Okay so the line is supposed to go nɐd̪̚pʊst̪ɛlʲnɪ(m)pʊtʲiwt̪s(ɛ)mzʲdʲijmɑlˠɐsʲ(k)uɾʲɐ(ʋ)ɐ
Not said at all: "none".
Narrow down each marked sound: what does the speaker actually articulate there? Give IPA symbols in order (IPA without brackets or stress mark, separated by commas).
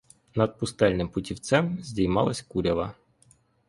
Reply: m, ɛ, k, ʋ